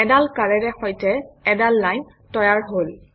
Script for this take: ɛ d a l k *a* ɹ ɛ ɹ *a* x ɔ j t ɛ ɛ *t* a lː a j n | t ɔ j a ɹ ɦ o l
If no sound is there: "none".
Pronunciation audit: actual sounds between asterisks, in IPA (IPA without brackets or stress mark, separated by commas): a, ɛ, d